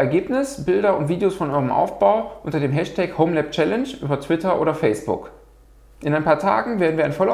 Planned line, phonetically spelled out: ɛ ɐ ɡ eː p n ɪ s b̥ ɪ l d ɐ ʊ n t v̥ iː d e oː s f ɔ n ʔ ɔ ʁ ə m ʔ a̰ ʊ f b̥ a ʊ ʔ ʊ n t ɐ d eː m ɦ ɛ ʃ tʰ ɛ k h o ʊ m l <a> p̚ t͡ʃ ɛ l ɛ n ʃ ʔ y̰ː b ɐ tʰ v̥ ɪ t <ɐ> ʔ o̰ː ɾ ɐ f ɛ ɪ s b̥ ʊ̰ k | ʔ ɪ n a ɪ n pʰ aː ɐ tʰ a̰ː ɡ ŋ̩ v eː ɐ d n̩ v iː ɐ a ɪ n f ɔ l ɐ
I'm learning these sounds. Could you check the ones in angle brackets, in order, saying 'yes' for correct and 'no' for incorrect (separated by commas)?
no, yes